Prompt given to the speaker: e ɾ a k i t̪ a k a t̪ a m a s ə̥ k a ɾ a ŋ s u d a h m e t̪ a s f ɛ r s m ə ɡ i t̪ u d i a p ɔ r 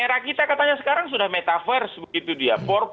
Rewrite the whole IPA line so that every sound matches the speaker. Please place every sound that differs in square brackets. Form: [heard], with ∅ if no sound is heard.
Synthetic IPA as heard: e ɾ a k i t̪ a k a t̪ a [ɲ] a s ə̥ k a ɾ a ŋ s u d a h m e t̪ a [∅] f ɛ r s [b] ə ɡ i t̪ u d i a p ɔ r